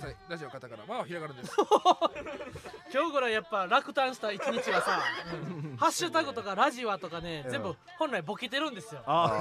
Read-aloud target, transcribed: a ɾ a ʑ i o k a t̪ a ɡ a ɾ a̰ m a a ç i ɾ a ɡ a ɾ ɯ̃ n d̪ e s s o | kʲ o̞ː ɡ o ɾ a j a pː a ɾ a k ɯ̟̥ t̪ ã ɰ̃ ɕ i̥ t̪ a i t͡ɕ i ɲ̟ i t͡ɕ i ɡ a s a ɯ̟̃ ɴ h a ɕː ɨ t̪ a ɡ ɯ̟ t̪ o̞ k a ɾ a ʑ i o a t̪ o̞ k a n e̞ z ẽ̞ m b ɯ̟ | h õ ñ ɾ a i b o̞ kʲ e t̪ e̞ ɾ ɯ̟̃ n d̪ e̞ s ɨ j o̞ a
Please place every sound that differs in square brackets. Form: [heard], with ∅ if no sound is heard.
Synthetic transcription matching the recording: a ɾ a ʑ i o k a t̪ a [k] a ɾ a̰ m a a ç i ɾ a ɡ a ɾ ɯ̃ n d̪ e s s o | kʲ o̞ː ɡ o ɾ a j a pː a ɾ a k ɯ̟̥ t̪ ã ɰ̃ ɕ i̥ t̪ a i t͡ɕ i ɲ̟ i t͡ɕ i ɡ a s a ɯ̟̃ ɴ h a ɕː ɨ t̪ a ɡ ɯ̟ t̪ o̞ k a ɾ a ʑ i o a t̪ o̞ k a n e̞ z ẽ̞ m b ɯ̟ | h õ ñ ɾ a i b o̞ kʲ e t̪ e̞ ɾ ɯ̟̃ n d̪ e̞ s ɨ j o̞ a